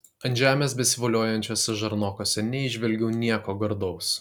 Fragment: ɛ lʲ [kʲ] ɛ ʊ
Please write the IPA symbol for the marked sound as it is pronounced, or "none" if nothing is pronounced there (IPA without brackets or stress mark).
ɡʲ